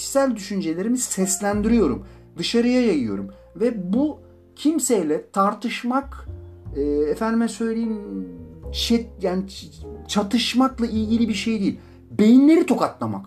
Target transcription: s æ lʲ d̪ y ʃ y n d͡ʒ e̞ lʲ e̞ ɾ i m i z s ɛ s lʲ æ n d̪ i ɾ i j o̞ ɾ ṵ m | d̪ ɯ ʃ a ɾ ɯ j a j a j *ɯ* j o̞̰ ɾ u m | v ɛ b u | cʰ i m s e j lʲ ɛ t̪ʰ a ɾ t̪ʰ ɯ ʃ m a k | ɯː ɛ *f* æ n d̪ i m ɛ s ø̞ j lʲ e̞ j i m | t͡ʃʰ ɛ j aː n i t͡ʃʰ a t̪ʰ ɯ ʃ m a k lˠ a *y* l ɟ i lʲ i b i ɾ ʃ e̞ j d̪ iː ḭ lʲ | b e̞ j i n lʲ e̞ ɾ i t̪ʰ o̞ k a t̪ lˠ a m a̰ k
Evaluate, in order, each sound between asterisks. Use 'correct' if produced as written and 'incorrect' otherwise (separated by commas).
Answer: correct, correct, incorrect